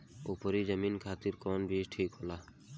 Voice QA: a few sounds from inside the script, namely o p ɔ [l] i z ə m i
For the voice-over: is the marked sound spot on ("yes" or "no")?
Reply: no